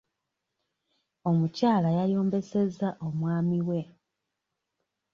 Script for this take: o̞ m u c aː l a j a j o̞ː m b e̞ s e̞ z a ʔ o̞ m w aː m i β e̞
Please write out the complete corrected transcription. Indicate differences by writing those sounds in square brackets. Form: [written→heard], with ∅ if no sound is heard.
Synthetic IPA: o̞ m u c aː l a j a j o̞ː m b e̞ s e̞ z a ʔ o̞ m w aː m i [β→w] e̞